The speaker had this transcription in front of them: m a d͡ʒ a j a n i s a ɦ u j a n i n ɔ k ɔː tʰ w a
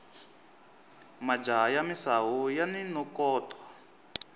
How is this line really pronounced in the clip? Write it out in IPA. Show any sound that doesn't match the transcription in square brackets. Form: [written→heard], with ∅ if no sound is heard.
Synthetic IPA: m a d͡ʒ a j a [n→m] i s a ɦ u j a n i n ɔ k ɔː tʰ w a